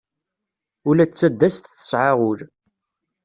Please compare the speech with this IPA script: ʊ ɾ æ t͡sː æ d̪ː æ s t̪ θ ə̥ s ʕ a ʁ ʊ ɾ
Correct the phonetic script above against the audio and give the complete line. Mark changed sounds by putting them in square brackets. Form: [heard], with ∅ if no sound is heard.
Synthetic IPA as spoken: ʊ [l] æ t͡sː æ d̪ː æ s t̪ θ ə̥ s ʕ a ʁ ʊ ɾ